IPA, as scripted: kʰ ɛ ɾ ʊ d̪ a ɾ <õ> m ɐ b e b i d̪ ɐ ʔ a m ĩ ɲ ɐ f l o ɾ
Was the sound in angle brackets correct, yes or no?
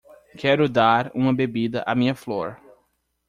no